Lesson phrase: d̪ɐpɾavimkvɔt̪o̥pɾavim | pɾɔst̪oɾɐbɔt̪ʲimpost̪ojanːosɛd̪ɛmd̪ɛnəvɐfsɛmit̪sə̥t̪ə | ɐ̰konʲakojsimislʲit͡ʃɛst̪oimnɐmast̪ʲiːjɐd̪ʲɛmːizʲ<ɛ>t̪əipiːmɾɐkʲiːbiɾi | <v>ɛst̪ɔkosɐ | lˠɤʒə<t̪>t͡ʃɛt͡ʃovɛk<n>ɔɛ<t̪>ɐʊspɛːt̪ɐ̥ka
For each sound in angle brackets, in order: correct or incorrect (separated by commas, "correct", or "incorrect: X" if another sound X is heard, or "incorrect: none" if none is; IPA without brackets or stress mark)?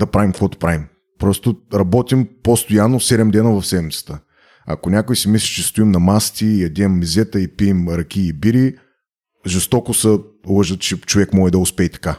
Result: correct, incorrect: ʒ, correct, incorrect: m, incorrect: d̪